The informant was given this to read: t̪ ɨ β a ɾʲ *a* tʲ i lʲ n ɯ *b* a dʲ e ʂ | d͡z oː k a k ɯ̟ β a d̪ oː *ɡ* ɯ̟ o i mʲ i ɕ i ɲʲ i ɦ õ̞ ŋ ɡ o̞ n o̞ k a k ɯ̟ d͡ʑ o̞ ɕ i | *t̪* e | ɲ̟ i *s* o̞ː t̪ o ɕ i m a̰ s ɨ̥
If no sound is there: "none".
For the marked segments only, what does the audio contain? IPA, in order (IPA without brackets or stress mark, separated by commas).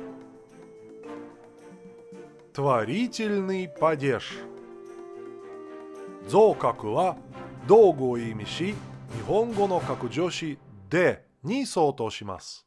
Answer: i, p, ɡ, d̪, s